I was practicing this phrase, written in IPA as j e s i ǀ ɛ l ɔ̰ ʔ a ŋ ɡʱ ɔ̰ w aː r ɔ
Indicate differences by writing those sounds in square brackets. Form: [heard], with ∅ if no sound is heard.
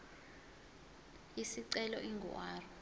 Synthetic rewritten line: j [i] s i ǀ ɛ l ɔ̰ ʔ [i] ŋ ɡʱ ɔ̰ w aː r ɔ